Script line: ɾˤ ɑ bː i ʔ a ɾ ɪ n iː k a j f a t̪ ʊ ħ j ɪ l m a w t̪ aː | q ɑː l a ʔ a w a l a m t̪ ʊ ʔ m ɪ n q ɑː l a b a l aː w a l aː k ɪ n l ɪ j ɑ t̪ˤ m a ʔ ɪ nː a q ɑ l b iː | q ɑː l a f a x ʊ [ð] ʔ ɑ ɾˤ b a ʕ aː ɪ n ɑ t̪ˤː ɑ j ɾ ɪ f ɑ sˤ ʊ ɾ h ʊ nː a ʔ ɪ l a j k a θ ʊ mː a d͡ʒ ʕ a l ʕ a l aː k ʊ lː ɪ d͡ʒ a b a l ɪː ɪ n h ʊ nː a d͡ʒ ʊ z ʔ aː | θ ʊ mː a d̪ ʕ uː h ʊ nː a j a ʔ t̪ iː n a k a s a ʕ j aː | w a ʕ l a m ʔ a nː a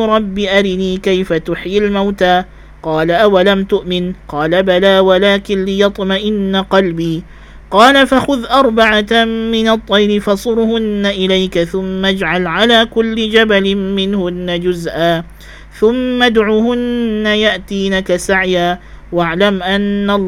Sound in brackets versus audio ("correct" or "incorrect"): correct